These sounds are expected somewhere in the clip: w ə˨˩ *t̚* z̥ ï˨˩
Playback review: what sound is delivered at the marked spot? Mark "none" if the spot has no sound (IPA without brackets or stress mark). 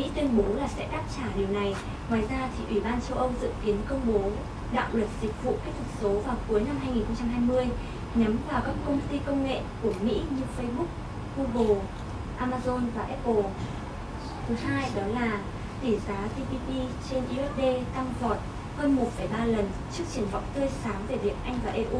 t̚